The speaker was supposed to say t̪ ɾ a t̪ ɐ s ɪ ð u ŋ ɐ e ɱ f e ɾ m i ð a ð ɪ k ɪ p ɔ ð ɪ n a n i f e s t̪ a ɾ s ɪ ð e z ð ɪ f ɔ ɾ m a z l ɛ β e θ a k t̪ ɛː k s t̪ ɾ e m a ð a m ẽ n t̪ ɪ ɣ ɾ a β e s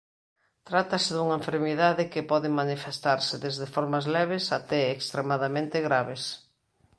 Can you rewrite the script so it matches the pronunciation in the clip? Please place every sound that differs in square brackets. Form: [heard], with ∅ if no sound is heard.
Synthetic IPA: t̪ ɾ a t̪ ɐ s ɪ ð u ŋ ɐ e ɱ f e ɾ m i ð a ð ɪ k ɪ p ɔ ð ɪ [m] a n i f e s t̪ a ɾ s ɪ ð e z ð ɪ f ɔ ɾ m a z l ɛ β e [s] a [∅] t̪ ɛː k s t̪ ɾ e m a ð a m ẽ n t̪ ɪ ɣ ɾ a β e s